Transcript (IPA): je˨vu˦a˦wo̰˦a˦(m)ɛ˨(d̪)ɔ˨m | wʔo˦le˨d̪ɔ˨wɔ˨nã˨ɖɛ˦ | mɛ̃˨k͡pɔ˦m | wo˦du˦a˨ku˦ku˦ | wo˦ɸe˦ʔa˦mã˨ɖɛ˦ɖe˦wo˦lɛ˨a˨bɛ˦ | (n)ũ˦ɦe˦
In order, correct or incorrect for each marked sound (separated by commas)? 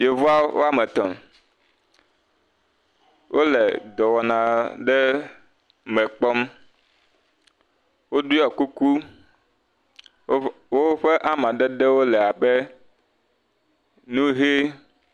correct, incorrect, correct